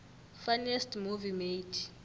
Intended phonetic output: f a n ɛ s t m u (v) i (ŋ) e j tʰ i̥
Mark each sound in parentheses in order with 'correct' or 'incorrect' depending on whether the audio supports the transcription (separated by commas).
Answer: correct, incorrect